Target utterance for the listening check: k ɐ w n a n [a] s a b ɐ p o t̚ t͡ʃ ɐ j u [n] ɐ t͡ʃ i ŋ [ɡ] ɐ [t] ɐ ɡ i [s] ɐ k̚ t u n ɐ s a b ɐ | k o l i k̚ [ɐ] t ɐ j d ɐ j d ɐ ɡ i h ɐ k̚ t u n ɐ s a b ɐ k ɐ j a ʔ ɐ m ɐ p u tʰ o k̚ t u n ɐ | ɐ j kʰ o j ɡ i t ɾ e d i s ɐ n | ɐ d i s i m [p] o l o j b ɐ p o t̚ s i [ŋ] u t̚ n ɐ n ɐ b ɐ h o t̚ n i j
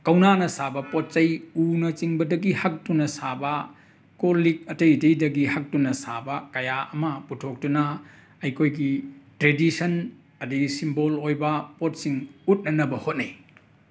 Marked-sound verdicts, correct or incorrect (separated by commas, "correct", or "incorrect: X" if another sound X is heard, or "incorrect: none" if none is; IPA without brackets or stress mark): incorrect: ɐ, correct, incorrect: b, incorrect: d, incorrect: h, correct, incorrect: b, correct